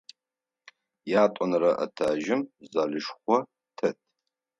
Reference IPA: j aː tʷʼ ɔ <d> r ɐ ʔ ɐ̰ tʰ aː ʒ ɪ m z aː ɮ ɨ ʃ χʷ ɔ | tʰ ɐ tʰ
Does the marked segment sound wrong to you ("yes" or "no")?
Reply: yes